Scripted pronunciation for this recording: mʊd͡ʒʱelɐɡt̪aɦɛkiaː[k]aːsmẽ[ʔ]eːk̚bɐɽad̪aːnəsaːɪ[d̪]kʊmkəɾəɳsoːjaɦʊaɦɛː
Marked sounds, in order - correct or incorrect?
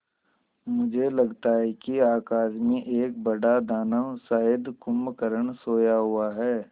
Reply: correct, correct, correct

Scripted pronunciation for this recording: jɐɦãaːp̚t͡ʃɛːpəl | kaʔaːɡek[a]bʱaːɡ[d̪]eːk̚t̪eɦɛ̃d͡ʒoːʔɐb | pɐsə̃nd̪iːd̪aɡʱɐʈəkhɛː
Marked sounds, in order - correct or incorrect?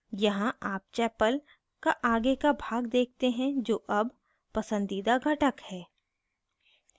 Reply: correct, correct

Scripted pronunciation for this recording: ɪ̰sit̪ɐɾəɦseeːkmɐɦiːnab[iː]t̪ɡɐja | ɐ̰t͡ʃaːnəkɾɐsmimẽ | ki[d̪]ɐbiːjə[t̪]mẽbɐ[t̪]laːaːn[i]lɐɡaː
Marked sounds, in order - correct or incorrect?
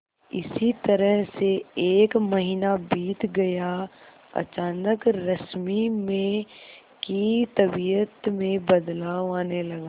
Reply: correct, incorrect: t̪, correct, incorrect: d̪, incorrect: e

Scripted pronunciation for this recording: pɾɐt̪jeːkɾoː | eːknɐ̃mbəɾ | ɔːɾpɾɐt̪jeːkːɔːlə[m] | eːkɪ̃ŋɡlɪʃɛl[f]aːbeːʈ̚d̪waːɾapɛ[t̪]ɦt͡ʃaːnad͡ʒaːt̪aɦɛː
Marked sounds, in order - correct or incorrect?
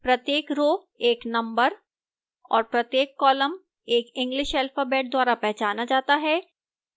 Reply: correct, correct, incorrect: none

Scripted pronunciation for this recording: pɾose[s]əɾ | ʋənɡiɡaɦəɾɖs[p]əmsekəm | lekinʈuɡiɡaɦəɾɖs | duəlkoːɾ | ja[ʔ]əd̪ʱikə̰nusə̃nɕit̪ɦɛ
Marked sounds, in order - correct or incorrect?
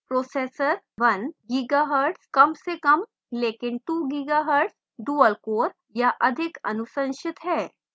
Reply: correct, incorrect: k, correct

